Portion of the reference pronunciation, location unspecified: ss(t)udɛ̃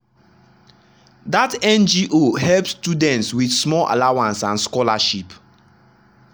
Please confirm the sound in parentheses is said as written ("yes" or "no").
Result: yes